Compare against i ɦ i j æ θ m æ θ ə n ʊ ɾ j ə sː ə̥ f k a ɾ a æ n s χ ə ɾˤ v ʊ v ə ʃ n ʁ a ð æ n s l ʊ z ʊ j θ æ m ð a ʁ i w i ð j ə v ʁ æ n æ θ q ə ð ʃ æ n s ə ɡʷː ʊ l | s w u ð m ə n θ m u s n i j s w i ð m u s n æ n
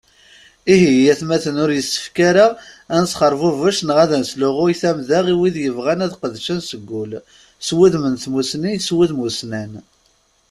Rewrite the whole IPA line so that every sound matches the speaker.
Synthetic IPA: i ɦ i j æ θ m æ θ ə n ʊ ɾ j ə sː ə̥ f k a ɾ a æ n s χ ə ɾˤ v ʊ v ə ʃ n ʁ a ð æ n s l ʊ ʁ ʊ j θ æ m ð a ʁ i w i ð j ə v ʁ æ n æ ð q ə ð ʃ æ n s ə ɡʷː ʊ l | s w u ð m ə n θ m u s n i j s w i ð m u s n æ n